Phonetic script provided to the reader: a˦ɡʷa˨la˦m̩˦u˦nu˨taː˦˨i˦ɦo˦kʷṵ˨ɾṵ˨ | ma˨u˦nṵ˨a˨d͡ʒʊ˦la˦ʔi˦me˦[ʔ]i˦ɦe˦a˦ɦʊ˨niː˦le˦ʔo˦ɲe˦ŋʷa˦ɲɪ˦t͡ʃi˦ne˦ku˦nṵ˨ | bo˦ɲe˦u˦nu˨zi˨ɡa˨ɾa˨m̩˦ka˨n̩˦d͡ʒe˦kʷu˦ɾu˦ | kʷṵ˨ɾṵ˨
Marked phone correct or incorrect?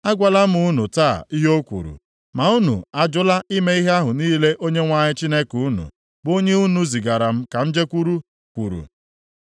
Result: incorrect